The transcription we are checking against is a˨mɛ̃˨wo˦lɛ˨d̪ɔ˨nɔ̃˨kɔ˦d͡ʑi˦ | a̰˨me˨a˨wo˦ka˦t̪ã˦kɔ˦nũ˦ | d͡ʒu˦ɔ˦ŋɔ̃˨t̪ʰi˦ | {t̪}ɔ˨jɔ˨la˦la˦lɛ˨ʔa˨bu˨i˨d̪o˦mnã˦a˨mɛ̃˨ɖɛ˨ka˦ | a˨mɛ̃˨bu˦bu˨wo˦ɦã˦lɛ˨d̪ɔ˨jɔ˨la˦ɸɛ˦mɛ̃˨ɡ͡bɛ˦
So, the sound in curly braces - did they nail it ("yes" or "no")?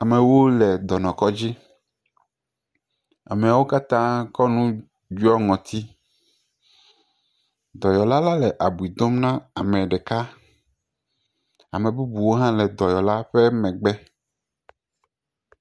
no